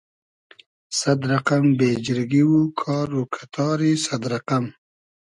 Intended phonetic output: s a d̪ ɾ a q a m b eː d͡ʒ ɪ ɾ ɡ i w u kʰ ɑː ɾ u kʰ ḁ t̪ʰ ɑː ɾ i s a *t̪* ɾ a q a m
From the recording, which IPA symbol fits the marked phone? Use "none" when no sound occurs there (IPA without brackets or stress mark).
d̪